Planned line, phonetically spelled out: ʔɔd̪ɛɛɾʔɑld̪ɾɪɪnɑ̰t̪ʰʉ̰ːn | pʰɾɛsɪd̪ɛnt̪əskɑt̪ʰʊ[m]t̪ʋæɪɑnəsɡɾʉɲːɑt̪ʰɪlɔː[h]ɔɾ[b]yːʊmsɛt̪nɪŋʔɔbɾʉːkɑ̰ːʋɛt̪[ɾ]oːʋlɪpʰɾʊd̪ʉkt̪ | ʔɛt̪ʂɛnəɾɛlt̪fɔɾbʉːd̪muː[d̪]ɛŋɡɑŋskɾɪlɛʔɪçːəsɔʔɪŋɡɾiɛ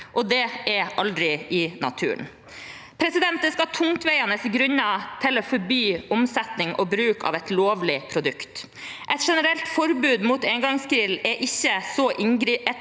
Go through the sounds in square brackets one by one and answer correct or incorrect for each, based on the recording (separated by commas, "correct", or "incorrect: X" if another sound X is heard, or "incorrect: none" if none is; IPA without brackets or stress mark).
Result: incorrect: ŋ, incorrect: f, correct, incorrect: l, incorrect: t̪